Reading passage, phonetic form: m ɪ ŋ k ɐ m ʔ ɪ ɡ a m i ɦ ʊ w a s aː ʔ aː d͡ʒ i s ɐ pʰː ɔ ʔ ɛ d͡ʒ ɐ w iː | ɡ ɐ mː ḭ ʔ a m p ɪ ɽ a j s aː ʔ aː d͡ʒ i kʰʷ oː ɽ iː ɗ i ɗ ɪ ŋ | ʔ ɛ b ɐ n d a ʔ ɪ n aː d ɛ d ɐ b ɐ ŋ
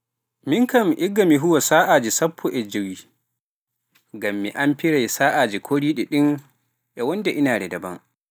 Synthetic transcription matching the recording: m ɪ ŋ k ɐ m ʔ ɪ ɡ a m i ɦ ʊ w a s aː ʔ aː d͡ʒ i s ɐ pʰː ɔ ʔ ɛ d͡ʒ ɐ w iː | ɡ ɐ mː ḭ ʔ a m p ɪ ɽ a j s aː ʔ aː d͡ʒ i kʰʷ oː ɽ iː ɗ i ɗ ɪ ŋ | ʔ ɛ w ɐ n d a ʔ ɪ n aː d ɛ d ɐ b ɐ ŋ